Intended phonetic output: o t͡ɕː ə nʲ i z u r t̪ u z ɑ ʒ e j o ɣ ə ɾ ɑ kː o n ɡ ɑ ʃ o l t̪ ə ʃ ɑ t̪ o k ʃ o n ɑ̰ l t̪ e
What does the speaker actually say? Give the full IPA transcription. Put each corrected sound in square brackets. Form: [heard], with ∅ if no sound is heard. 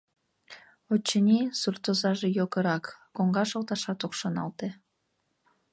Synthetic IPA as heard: o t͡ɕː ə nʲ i [s] u r t̪ [o] z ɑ ʒ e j o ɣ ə ɾ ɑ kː o [ŋ] ɡ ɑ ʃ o l t̪ [ɑ] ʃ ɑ t̪ o k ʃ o n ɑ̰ l t̪ e